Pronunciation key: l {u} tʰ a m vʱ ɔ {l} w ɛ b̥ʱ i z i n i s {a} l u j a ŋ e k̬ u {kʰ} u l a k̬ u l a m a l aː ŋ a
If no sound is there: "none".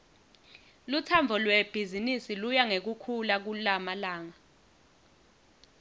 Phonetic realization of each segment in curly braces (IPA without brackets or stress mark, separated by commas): u, l, i, kʰ